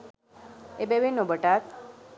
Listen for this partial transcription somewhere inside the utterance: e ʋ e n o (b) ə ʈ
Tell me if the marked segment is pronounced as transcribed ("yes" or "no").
yes